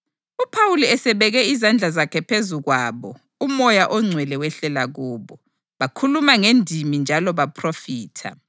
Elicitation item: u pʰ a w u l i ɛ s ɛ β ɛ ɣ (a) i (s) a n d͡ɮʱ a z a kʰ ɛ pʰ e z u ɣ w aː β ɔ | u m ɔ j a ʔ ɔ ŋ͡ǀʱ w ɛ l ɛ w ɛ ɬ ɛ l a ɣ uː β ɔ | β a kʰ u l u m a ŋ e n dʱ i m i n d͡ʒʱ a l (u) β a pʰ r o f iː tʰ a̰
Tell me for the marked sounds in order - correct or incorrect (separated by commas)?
incorrect, incorrect, incorrect